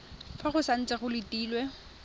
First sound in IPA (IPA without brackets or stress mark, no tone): f